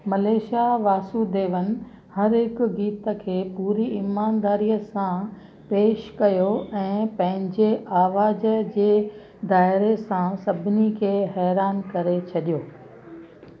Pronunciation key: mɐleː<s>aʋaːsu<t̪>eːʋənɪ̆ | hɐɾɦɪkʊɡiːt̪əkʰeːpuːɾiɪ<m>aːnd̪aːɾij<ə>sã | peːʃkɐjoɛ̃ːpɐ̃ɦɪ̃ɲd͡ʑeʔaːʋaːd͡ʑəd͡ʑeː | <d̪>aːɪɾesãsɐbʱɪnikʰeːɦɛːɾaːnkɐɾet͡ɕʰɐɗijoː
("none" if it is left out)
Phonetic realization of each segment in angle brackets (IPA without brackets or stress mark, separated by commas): ʃ, d̪, m, ə, d̪